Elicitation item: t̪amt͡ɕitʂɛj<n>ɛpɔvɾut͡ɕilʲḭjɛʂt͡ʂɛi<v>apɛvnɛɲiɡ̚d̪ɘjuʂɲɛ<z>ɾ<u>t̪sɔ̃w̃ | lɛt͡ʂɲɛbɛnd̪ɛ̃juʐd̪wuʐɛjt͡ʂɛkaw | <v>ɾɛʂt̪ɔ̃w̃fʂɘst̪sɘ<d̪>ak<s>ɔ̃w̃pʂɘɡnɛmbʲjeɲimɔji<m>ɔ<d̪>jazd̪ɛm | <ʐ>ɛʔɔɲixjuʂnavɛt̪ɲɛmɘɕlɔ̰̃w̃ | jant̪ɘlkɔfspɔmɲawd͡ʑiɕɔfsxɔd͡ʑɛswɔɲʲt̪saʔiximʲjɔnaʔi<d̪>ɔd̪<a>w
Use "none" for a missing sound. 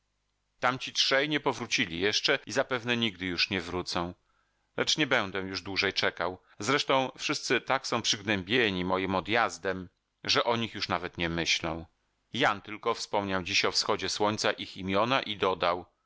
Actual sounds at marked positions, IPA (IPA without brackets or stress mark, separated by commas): ɲ, z, v, u, z, t̪, s, m, d̪, ʐ, d̪, a